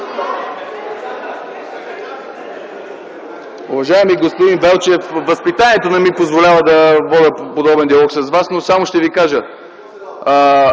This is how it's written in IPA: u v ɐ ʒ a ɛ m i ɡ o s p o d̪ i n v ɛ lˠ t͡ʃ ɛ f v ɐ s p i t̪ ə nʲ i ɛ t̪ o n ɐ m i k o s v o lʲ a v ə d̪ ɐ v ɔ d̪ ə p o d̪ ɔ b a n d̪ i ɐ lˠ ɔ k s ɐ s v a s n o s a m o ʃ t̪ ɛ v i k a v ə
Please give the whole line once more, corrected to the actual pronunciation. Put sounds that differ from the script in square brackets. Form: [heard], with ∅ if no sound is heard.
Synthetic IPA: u v ɐ ʒ a ɛ m i ɡ o s p o d̪ i n v ɛ lˠ t͡ʃ ɛ f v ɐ s p i t̪ [a] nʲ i ɛ t̪ o n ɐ m i [p] o [z] v o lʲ a v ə d̪ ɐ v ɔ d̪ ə p o d̪ ɔ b [ɛ] n d̪ i ɐ lˠ ɔ k s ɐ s v a s n o s a m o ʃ t̪ ɛ v i k a [ʒ] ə